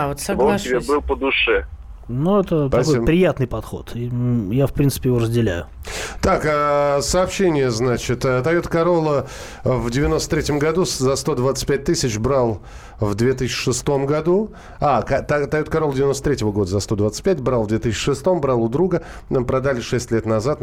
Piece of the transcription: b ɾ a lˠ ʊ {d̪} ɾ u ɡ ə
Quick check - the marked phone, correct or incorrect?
correct